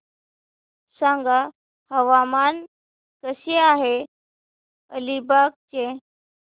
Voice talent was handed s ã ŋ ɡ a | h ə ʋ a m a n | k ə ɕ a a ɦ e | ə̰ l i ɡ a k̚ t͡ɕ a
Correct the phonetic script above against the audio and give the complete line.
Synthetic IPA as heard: s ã ŋ ɡ a | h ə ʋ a m a n | k ə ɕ e a ɦ e | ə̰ l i b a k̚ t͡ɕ e